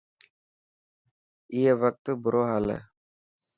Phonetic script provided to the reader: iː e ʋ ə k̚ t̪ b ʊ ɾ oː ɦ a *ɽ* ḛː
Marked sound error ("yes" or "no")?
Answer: yes